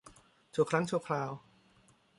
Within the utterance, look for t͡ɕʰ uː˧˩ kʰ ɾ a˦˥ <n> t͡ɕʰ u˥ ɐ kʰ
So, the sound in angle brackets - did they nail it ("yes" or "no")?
no